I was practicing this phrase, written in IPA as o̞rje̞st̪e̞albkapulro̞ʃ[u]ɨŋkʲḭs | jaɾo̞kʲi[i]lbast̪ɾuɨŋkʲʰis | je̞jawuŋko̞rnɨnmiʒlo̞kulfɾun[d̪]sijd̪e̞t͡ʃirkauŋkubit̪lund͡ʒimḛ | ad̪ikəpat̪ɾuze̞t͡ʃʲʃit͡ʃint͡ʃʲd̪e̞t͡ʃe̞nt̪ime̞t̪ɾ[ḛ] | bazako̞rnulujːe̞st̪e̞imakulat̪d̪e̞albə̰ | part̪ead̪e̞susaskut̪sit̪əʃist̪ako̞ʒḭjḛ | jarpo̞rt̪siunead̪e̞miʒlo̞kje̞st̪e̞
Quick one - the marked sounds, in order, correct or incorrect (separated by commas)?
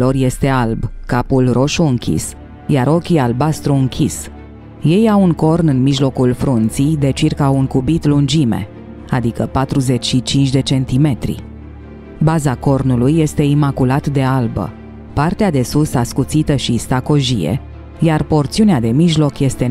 correct, incorrect, incorrect, incorrect